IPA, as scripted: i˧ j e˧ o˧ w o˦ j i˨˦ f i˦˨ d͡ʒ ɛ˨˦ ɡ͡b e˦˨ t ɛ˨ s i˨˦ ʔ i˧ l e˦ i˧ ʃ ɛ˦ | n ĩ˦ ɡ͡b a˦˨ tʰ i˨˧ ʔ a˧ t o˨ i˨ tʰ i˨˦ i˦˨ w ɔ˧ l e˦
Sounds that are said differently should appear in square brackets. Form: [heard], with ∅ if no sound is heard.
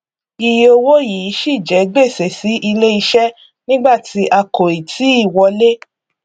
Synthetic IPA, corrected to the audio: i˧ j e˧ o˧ w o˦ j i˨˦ [ʃ] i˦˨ d͡ʒ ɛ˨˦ ɡ͡b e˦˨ [s] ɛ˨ s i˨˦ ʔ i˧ l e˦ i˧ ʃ ɛ˦ | n ĩ˦ ɡ͡b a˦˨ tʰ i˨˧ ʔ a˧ [k] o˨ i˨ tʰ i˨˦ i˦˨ w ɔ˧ l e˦